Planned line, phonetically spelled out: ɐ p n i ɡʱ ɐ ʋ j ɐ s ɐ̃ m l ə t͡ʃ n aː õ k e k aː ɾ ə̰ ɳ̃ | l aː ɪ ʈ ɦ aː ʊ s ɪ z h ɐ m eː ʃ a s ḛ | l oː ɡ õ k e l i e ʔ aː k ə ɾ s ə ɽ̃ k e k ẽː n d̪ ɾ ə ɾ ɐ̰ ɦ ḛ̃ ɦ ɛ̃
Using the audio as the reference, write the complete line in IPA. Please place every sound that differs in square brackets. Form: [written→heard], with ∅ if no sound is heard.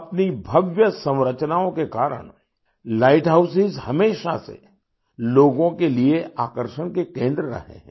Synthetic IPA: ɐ p n i [ɡʱ→bʱ] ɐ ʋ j [ɐ→ə] s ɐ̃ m [l→ɾ] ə t͡ʃ n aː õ k e k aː ɾ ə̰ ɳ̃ | l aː ɪ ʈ ɦ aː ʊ s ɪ z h ɐ m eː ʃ a s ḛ | l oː ɡ õ k e l i e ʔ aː k ə ɾ [s→ʃ] ə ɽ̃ k e k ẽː n d̪ ɾ ə ɾ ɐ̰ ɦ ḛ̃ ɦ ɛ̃